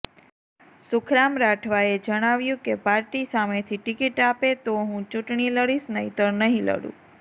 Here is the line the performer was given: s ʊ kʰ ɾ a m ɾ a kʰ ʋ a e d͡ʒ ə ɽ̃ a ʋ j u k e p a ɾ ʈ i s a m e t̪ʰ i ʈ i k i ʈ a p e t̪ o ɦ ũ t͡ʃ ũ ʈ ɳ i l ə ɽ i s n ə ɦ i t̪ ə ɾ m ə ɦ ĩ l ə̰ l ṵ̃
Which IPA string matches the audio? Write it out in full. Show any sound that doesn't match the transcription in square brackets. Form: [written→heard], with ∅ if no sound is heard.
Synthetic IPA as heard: s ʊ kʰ ɾ a m ɾ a [kʰ→ʈʰ] ʋ a e d͡ʒ ə ɽ̃ a ʋ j [u→ũ] k e p a ɾ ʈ i s a m e t̪ʰ i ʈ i k i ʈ a p e t̪ o ɦ ũ t͡ʃ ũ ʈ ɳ i l ə ɽ i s n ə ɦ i t̪ ə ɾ [m→n] ə ɦ ĩ l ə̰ [l→ɽ] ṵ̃